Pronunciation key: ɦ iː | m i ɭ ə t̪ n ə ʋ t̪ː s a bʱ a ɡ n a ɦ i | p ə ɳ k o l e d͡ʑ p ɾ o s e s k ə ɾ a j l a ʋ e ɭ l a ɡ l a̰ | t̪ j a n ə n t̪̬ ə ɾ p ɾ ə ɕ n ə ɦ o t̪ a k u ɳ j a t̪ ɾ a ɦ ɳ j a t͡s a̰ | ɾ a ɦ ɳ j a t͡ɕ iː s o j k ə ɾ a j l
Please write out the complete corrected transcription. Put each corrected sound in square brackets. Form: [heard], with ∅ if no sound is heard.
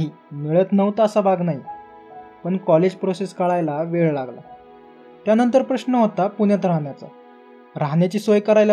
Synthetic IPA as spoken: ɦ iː | m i ɭ ə t̪ n ə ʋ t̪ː s a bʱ a ɡ n a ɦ i | p ə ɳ k [ɔ] l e d͡ʑ p ɾ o s e s k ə [ɭ] a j l a ʋ e ɭ l a ɡ l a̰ | t̪ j a n ə n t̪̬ ə ɾ p ɾ ə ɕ n ə ɦ o t̪ a [p] u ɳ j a t̪ ɾ a ɦ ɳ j a t͡s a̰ | ɾ a ɦ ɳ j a t͡ɕ iː s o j k ə ɾ a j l